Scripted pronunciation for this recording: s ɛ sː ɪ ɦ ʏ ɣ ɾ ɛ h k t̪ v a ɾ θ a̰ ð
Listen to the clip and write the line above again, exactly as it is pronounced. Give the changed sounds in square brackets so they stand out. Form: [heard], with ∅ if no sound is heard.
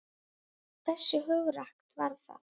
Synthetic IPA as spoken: [θ] ɛ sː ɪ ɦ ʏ ɣ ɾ [a] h k t̪ v a ɾ θ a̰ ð